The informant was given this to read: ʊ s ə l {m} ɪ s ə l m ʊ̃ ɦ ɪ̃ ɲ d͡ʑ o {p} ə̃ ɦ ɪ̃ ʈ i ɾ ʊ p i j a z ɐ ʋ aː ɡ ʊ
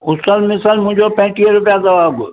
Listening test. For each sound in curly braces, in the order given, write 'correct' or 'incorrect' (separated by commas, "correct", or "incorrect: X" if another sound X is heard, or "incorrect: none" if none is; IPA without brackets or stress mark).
correct, correct